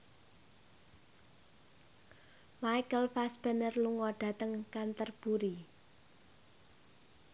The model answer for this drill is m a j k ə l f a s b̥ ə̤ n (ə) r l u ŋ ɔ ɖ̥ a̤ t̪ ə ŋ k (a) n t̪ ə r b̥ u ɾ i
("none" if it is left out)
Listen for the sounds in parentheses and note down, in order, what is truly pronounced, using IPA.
ə, a

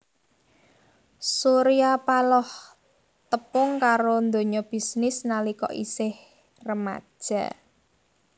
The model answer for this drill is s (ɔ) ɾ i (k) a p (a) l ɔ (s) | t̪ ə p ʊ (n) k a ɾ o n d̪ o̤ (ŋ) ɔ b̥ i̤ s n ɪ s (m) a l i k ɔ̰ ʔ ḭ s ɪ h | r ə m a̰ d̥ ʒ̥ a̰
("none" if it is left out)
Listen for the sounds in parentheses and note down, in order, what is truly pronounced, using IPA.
u, none, a, h, ŋ, ɲ, n

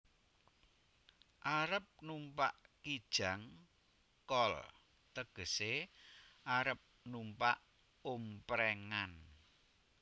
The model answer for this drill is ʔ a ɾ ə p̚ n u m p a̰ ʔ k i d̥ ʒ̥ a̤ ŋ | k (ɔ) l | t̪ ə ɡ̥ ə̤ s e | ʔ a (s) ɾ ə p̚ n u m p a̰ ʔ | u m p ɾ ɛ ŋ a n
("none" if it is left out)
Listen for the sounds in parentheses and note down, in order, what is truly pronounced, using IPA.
ɔ, none

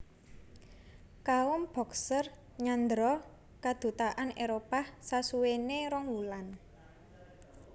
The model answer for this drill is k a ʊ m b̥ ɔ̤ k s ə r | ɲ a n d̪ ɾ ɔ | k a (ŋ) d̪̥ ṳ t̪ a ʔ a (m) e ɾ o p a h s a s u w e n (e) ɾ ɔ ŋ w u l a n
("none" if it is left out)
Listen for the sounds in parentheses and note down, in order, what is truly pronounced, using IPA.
none, n, e

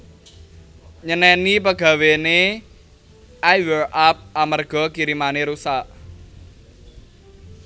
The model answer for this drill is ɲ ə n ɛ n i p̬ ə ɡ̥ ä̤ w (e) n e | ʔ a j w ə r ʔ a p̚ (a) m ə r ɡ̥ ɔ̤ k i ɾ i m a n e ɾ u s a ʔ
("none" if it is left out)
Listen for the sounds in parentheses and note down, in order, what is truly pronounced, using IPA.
e, a

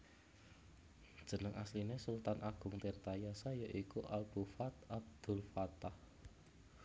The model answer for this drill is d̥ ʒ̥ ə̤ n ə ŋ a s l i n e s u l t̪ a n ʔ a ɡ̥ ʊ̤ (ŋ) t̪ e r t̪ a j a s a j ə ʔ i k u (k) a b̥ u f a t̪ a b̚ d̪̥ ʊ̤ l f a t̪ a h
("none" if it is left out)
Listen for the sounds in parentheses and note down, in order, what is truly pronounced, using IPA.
ŋ, ʔ

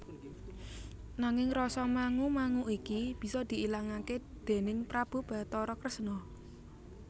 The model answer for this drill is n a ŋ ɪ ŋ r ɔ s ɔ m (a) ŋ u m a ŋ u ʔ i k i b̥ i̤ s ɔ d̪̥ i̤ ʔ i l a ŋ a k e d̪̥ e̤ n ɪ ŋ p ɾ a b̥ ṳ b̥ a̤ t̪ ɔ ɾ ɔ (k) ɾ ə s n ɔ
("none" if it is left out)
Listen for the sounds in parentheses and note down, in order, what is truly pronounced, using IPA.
a, k

